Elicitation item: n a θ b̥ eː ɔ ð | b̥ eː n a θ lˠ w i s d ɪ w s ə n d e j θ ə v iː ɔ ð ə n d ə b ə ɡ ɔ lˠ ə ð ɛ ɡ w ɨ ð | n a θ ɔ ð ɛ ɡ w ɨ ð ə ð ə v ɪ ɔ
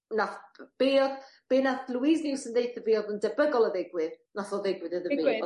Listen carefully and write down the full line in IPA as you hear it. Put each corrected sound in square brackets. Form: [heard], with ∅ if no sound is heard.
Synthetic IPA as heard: n a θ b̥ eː ɔ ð | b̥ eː n a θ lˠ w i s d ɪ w s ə n d e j θ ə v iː ɔ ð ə n d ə b ə ɡ ɔ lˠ ə ð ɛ ɡ w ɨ ð | n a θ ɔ ð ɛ ɡ w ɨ ð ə ð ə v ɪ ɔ